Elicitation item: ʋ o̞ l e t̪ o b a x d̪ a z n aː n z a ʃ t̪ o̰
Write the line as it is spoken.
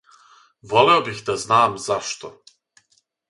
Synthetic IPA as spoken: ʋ o̞ l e o b i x d̪ a z n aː m z a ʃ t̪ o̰